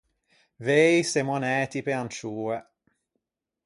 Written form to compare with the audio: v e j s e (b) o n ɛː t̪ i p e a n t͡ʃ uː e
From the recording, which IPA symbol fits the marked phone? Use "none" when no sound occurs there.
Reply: m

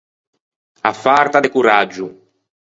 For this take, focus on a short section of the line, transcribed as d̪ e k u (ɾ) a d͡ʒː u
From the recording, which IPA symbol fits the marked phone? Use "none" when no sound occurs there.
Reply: ɾ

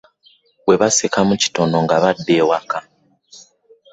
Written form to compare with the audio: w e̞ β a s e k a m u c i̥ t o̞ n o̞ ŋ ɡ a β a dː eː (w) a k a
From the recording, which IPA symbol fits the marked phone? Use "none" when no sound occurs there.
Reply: w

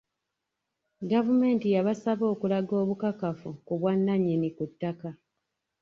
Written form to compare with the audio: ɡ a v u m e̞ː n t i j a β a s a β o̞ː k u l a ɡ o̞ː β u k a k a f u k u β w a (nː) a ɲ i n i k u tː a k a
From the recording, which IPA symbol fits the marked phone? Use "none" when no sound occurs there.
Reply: nː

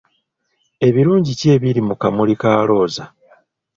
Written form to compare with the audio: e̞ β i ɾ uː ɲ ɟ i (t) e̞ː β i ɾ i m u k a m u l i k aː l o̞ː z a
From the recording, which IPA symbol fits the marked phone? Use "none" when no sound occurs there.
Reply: c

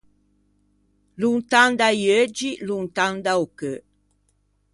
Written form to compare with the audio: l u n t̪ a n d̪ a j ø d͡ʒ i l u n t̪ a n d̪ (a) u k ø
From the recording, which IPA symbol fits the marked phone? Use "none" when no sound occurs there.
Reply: a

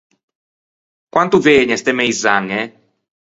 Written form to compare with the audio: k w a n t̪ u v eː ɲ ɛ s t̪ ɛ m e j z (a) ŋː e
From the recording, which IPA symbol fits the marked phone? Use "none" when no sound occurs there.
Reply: a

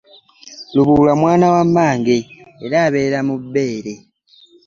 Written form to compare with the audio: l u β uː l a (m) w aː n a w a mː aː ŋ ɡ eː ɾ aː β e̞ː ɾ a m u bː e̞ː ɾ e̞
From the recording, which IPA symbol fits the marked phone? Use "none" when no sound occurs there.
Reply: m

